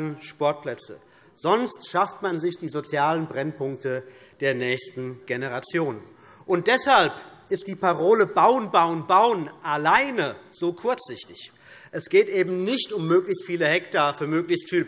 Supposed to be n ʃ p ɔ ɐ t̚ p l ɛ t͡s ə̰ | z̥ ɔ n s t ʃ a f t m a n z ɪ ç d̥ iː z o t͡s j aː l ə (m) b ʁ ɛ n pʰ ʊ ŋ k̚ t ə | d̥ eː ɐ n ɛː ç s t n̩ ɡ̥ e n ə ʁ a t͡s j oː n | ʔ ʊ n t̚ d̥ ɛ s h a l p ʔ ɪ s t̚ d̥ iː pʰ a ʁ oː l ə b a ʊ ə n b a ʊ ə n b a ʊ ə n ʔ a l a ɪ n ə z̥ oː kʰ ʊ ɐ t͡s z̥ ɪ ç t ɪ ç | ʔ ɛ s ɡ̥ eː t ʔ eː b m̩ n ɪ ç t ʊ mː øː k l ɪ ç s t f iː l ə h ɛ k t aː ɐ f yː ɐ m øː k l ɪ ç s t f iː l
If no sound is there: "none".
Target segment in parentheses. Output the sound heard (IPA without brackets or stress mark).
n